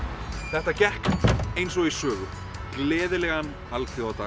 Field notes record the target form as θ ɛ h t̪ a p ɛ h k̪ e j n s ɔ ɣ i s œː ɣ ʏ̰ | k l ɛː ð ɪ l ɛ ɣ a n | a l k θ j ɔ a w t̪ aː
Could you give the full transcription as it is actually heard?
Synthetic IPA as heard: θ ɛ h t̪ a c ɛ h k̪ e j n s ɔ ɣ i s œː ɣ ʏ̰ | k l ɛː ð ɪ l ɛ ɣ a n | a l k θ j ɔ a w t̪ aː

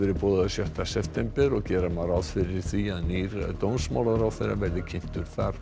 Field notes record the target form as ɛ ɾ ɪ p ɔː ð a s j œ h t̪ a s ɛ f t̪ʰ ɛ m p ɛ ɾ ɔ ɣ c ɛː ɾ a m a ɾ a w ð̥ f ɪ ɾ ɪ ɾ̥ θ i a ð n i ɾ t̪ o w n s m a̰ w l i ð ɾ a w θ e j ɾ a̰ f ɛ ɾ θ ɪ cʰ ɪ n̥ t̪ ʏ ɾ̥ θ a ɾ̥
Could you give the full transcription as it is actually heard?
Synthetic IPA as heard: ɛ ɾ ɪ p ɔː ð a s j œ h t̪ a s ɛ f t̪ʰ ɛ m p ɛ ɾ ɔ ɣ c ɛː ɾ a m a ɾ a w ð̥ f ɪ ɾ ɪ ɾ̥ θ i a ð n i ɾ t̪ o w n s m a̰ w l a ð ɾ a w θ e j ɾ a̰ v ɛ ɾ ð ɪ cʰ ɪ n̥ t̪ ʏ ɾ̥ θ a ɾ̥

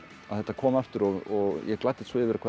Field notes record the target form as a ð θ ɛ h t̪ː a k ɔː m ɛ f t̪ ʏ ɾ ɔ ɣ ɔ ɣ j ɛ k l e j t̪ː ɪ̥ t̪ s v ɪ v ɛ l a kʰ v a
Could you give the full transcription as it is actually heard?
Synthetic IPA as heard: a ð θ ɛ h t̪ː a kʰ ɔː m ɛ f t̪ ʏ ɾ ɔ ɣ ɔ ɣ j ɛ k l a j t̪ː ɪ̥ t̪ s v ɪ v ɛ ɾ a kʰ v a

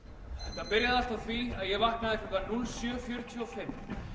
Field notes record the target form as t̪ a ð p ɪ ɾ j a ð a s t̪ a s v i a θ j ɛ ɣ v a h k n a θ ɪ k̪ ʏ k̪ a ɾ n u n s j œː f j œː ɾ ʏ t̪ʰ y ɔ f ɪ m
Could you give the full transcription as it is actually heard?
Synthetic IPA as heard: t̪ a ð p ɪ ɾ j a ð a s t̪ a θ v i a ð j ɛ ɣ v a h k n a ð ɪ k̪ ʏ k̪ a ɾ n u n s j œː f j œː ɾ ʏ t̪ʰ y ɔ f ɪ m

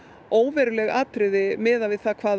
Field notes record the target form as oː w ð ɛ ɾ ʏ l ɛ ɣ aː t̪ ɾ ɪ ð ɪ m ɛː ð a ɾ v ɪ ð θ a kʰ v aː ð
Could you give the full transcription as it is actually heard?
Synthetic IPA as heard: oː w v ɛ ɾ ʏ l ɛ ɣ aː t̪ ɾ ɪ ð ɪ m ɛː ð a v ɪ ð θ a kʰ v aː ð

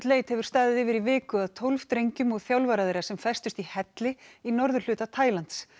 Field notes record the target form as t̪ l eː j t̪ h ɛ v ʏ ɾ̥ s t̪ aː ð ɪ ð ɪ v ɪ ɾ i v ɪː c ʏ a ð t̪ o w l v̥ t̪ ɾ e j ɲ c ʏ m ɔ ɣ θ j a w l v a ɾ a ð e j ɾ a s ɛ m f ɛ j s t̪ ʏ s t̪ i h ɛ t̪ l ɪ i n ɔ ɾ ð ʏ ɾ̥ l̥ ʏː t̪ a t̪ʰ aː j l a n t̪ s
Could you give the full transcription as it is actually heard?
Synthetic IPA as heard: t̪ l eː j t̪ h ɛ v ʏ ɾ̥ s t̪ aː ð ɪ ð ɪ v ɪ ɾ i v ɪː k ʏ a ð t̪ʰ o w l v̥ t̪ ɾ e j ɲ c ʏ m ɔ ɣ θ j a w l v a ɾ a ð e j ɾ a s ɛ m f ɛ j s t̪ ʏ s t̪ i h ɛ t̪ l ɪ i n ɔ ɾ ð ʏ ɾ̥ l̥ ʏː t̪ a t̪ʰ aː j l a n t̪ s

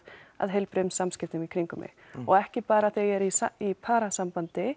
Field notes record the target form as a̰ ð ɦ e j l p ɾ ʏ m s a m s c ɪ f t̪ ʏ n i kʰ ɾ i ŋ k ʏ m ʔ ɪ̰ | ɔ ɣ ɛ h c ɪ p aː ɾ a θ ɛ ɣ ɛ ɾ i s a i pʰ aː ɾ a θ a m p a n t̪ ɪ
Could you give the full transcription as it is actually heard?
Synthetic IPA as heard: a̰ ð ɦ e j l p ɾ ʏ m s a m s c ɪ f t̪ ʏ m i kʰ ɾ i ŋ k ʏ m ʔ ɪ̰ | ɔ ɣ ɛ h c ɪ p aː ɾ a θ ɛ ɣ ɛ ɾ i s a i pʰ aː ɾ a s a m p a n t̪ ɪ

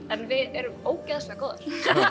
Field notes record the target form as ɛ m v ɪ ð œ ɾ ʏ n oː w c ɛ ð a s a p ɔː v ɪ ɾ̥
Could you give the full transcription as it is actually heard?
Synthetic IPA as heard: ɛ n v ɪ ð ɛ ɾ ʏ m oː w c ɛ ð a s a k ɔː ð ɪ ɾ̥

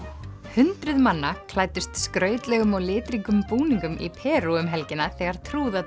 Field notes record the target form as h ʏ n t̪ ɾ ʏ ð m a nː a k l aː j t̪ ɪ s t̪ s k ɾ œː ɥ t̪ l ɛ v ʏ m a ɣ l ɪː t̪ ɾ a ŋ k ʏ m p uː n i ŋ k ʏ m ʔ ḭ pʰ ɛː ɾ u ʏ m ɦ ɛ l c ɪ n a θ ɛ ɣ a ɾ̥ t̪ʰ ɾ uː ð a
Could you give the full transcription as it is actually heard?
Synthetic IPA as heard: h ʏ n t̪ ɾ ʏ ð m a nː a kʰ l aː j t̪ ɪ s t̪ s k ɾ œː ɥ t̪ l ɛ ɣ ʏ m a ɣ l ɪː t̪ ɾ i ŋ k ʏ m p uː n i ŋ k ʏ m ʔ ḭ pʰ ɛː ɾ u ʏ m ɦ ɛ l c ɪ n a θ ɛ ɣ a ɾ̥ t̪ʰ ɾ uː ð a

